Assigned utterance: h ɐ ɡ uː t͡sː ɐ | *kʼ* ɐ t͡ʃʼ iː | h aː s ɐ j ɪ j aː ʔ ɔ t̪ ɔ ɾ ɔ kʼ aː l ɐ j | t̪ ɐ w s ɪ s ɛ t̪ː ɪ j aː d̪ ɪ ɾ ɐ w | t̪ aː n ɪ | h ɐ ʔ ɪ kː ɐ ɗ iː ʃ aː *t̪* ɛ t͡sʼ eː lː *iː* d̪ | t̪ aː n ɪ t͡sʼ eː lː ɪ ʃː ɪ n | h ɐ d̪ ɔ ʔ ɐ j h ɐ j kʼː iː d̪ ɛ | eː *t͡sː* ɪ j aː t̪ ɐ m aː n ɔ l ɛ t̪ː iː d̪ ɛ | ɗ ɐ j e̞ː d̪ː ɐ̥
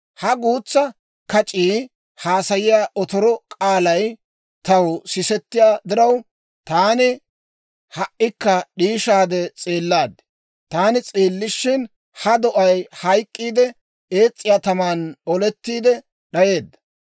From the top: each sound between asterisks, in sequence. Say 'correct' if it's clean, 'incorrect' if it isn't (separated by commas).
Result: incorrect, incorrect, incorrect, incorrect